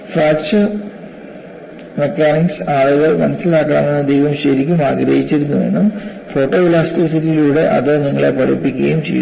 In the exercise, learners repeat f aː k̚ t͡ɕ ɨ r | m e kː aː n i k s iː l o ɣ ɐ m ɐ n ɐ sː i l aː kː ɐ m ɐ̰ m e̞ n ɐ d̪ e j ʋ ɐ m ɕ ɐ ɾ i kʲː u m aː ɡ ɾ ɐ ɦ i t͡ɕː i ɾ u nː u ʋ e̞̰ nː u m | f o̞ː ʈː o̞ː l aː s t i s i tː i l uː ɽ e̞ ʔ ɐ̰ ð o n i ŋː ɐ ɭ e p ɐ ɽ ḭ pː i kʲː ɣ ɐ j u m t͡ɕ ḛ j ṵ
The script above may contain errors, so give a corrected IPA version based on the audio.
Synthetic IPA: f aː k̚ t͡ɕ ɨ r | m e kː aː n i k s aː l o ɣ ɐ m ɐ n ɐ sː i l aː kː ɐ ɳ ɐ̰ m e̞ nː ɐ d̪ e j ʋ ɐ m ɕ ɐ ɾ i kʲː u m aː ɡ ɾ ɐ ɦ i t͡ɕː i ɾ u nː u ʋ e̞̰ nː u m | f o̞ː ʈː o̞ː l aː s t i s i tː i l uː ɽ e̞ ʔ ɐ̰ ð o n i ŋː ɐ ɭ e p ɐ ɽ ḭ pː i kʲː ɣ ɐ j u m t͡ɕ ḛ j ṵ

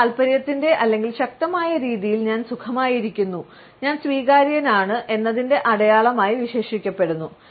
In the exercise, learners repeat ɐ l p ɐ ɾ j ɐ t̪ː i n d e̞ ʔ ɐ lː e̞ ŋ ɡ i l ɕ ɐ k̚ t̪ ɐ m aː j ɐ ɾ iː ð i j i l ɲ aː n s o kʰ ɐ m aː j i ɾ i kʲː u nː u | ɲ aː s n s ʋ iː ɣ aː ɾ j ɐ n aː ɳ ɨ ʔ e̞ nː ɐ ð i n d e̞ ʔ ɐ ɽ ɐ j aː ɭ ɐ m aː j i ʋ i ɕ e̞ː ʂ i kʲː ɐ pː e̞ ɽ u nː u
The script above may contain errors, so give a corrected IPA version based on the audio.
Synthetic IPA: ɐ l p ɐ ɾ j ɐ t̪ː i n d e̞ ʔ ɐ lː e̞ ŋ ɡ i l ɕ ɐ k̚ t̪ ɐ m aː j ɐ ɾ iː ð i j i l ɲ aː n s u kʰ ɐ m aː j i ɾ i kʲː u nː u | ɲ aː n s ʋ iː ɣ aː ɾ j ɐ n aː ɳ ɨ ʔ e̞ nː ɐ ð i n d e̞ ʔ ɐ ɽ ɐ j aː ɭ ɐ m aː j i ʋ i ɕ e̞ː ʂ i kʲː ɐ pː e̞ ɽ u nː u

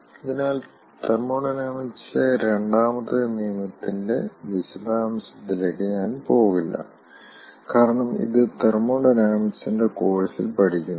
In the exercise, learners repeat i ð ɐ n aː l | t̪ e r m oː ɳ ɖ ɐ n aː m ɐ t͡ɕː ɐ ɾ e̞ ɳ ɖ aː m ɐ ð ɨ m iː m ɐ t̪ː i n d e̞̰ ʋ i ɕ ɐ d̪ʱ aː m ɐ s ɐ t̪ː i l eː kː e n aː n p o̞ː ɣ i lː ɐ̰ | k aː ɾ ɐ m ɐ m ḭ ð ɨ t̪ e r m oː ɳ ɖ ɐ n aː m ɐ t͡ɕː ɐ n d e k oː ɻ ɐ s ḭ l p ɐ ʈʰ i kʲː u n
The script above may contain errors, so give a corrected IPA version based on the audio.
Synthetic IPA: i ð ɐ n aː l | t̪ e r m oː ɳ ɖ ɐ n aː m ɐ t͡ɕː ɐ ɾ e̞ ɳ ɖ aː m ɐ ð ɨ m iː m ɐ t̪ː i n d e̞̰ ʋ i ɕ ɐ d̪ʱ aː m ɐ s ɐ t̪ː i l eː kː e ɲ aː n p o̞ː ɣ i lː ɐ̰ | k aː ɾ ɐ ɳ ɐ m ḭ ð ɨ t̪ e r m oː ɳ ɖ ɐ n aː m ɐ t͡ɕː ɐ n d e k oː ɻ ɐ s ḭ l p ɐ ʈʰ i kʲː u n

